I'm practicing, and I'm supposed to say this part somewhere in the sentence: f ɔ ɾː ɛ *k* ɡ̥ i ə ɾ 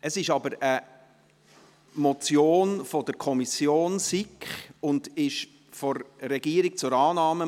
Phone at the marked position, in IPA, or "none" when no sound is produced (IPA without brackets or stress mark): none